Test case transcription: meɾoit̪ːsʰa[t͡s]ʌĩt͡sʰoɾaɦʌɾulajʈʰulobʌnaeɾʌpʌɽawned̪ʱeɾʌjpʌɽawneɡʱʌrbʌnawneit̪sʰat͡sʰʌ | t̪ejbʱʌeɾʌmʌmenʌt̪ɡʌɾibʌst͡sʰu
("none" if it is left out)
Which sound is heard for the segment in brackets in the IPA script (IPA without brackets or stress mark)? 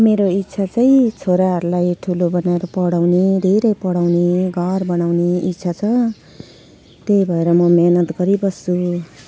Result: t͡s